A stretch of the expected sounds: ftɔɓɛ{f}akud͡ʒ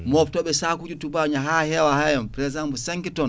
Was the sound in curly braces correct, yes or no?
no